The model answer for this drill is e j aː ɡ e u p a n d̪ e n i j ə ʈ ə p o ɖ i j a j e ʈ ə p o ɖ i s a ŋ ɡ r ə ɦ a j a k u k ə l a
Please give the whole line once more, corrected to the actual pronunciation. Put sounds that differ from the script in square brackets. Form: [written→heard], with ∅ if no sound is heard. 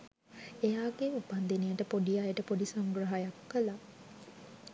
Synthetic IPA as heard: e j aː ɡ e u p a n d̪ e n i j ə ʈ ə p o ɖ i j a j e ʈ ə p o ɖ i s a ŋ ɡ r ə ɦ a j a k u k ə l a

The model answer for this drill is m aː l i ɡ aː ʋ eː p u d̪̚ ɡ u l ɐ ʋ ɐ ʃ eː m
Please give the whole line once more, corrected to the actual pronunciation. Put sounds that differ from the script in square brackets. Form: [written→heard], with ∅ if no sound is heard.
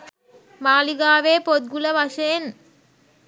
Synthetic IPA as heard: m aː l i ɡ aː ʋ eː p [u→o] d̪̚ ɡ u l ɐ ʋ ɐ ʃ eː [m→n]

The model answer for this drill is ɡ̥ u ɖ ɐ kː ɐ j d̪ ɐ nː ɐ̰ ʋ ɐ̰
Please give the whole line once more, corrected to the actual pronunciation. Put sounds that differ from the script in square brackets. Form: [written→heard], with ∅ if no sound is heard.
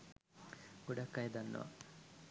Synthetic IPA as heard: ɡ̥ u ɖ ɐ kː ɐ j d̪ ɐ nː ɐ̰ ʋ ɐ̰

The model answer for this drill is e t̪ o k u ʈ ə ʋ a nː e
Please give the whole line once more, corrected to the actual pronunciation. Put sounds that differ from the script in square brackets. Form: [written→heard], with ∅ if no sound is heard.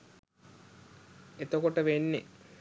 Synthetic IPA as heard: e t̪ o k [u→o] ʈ ə ʋ [a→e] nː e

